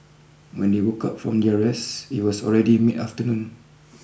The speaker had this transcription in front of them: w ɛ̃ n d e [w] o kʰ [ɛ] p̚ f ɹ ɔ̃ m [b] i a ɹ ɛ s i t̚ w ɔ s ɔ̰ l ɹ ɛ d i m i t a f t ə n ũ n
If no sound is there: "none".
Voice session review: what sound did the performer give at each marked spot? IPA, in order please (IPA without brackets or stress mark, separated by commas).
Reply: w, a, d